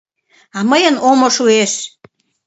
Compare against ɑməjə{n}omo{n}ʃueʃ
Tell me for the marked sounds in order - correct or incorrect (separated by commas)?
correct, incorrect